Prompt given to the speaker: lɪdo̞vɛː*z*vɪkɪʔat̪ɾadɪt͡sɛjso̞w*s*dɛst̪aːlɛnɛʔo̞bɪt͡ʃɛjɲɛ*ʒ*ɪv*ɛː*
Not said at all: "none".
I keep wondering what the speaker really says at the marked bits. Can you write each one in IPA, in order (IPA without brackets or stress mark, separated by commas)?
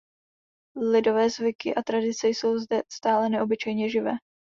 z, z, ʒ, ɛː